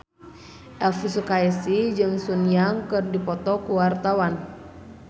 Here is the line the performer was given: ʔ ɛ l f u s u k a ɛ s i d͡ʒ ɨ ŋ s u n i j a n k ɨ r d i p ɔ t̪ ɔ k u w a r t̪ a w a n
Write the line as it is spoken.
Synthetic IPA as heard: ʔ ɛ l f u s u k a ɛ s i d͡ʒ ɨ ŋ s u n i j a ŋ k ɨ r d i p ɔ t̪ ɔ k u w a r t̪ a w a n